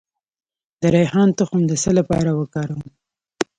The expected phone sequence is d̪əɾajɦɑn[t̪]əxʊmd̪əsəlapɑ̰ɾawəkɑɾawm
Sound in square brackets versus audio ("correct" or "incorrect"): correct